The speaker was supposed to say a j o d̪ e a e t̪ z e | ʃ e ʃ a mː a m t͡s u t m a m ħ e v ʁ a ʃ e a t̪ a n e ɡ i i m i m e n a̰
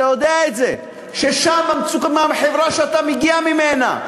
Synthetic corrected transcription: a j o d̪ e a e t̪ z e | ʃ e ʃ a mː a m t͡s u k m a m ħ e v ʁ a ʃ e a t̪ a m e ɡ i a m i m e n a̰